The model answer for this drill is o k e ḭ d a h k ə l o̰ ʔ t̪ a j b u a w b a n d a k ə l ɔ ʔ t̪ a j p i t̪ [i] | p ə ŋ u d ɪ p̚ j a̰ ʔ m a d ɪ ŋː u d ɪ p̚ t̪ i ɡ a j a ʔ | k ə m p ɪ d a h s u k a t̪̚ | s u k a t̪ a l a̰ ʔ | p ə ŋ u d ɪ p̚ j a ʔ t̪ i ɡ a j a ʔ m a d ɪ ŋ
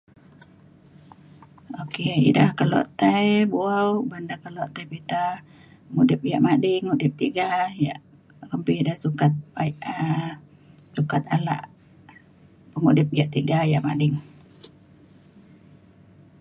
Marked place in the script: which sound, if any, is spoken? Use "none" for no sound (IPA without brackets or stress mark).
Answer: a